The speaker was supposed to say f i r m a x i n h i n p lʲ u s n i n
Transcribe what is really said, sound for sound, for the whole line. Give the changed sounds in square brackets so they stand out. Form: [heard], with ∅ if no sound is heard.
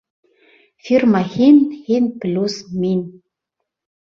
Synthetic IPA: f i r m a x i n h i n p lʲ u s [m] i n